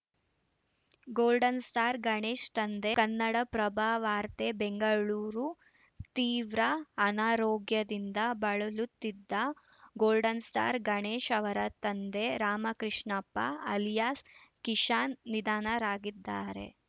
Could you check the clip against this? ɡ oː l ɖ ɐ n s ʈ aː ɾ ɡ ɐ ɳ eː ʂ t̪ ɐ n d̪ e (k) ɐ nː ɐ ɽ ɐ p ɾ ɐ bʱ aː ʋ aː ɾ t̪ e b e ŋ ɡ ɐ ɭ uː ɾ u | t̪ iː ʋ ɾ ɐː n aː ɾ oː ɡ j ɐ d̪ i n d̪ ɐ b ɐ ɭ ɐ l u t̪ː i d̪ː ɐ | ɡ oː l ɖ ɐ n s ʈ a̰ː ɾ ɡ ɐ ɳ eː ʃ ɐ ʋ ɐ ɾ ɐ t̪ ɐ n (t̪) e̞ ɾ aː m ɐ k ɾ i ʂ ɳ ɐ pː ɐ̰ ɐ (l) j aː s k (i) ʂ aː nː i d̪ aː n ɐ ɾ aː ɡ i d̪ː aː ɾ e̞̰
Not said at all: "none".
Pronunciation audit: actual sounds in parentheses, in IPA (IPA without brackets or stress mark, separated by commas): k, d̪, l, i